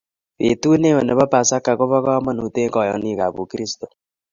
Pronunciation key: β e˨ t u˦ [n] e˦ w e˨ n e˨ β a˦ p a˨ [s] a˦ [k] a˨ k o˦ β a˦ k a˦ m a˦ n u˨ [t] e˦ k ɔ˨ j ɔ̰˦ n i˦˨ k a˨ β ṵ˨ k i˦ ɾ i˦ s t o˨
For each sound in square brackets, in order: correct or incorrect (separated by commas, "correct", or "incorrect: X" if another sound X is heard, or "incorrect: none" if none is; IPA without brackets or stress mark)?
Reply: correct, correct, correct, correct